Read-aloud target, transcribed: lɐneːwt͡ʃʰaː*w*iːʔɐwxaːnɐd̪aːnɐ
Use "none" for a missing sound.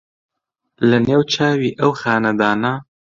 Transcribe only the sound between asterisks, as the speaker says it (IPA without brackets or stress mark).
w